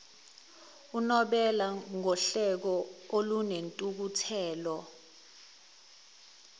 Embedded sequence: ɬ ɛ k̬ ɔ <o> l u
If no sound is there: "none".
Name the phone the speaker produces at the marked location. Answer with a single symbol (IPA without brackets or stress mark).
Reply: o